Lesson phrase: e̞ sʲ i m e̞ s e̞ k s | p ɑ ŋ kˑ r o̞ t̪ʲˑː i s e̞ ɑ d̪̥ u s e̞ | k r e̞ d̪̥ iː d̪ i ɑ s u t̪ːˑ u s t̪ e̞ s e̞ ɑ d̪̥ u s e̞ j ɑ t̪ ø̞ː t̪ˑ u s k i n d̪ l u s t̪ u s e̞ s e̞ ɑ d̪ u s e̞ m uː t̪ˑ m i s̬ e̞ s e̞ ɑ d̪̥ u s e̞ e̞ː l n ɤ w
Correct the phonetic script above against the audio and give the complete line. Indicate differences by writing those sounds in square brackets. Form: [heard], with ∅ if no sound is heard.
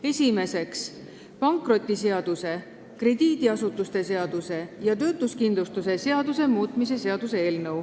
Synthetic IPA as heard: e̞ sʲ i m e̞ s e̞ k s | p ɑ ŋ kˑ r o̞ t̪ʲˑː i s e̞ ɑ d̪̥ u s e̞ | k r e̞ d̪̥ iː d̪ i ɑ s u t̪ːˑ u s t̪ e̞ s e̞ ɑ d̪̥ u s e̞ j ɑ t̪ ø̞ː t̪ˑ u s k i n d̪ l u s t̪ u s e̞ s e̞ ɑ d̪ u s e̞ m uː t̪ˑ m i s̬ e̞ s e̞ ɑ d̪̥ u s e̞ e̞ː l n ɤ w